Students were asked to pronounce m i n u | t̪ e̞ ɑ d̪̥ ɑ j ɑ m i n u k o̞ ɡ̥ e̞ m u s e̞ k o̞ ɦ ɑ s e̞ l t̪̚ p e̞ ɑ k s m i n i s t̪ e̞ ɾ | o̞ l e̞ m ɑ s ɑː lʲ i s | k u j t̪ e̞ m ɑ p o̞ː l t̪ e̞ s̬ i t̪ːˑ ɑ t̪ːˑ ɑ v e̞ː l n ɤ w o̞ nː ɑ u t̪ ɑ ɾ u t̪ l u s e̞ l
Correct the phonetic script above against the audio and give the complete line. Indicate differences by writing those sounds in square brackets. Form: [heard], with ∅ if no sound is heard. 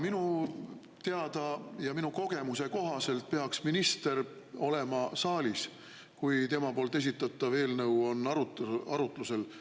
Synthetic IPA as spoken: m i n u | t̪ e̞ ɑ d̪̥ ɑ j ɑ m i n u k o̞ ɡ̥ e̞ m u s e̞ k o̞ ɦ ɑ s e̞ l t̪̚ p e̞ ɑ k s m i n i s t̪ e̞ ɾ | o̞ l e̞ m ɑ s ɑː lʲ i s | k u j t̪ e̞ m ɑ p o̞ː l t̪ e̞ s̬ i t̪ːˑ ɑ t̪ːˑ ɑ v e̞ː l n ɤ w o̞ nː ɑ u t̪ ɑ ɾ u t̪ l u s e̞ l